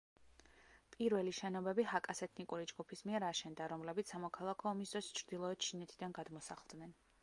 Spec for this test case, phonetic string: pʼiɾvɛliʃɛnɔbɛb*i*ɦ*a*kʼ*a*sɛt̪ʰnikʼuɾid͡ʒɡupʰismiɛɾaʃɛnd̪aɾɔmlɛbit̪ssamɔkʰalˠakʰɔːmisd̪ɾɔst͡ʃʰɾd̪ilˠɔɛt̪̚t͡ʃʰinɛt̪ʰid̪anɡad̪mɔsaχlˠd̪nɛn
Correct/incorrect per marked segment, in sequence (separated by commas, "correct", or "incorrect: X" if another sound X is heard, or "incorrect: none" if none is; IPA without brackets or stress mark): correct, correct, correct